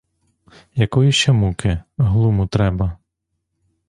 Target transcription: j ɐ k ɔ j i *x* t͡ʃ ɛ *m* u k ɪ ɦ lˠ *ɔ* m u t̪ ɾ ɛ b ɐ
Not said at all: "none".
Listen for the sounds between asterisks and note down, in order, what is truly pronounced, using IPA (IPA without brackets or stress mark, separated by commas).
ʃ, m, u